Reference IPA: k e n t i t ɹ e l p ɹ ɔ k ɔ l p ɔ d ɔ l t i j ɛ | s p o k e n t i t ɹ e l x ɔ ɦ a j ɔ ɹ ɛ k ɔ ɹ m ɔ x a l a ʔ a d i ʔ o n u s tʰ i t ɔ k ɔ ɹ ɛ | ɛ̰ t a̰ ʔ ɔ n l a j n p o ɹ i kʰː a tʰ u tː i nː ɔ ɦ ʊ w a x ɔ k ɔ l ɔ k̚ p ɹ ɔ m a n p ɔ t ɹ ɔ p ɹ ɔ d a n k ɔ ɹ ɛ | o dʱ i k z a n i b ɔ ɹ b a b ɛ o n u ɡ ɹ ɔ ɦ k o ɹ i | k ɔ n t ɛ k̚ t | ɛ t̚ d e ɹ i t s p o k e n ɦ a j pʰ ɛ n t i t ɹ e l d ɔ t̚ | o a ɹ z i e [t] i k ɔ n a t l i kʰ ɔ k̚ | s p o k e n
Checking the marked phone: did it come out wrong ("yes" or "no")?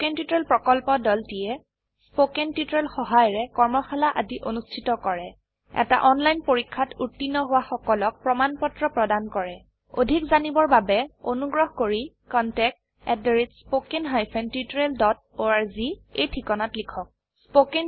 yes